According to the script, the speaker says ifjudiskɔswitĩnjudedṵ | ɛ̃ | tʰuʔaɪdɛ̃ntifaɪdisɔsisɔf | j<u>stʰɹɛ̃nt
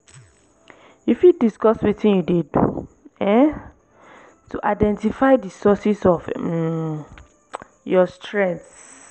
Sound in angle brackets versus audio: incorrect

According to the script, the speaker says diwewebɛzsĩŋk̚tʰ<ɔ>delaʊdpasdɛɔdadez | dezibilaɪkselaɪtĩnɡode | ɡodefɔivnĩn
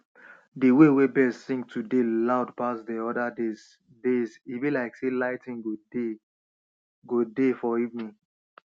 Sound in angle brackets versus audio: incorrect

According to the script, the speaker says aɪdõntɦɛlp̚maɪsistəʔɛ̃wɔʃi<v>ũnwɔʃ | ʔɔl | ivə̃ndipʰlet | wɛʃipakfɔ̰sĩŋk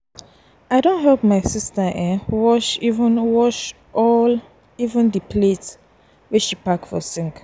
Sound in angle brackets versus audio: correct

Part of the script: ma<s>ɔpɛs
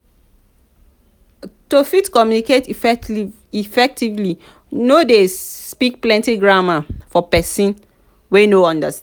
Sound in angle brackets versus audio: incorrect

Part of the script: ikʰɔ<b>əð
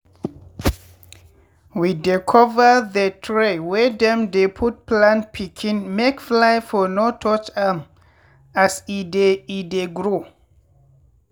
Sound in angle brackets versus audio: incorrect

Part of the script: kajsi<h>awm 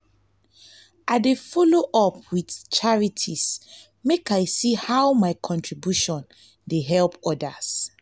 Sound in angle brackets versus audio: correct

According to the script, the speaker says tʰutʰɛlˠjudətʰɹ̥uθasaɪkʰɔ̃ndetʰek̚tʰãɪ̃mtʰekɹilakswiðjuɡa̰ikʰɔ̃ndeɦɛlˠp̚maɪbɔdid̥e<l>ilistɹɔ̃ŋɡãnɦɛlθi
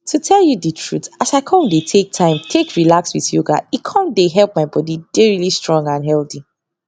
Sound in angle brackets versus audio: incorrect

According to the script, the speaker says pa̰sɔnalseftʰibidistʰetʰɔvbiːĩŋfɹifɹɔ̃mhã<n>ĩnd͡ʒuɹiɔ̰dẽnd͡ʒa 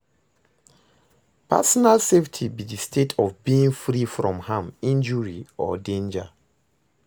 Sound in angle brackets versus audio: incorrect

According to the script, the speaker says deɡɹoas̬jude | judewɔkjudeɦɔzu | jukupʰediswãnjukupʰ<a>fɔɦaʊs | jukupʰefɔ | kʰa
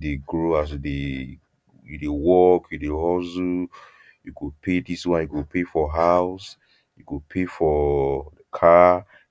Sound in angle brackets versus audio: incorrect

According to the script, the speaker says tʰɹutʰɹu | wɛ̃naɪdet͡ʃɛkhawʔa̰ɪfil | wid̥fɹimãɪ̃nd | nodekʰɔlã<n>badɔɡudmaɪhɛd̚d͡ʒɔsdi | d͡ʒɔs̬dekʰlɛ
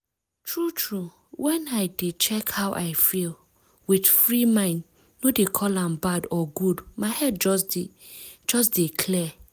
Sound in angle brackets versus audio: incorrect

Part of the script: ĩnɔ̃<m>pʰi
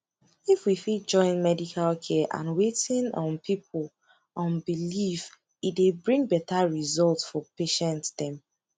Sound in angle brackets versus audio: incorrect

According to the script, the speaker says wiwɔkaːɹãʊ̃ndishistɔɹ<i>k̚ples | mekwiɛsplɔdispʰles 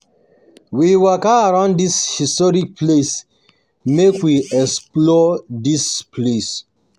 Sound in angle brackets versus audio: correct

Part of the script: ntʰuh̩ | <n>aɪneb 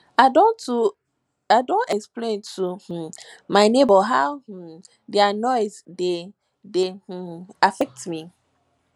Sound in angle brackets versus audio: incorrect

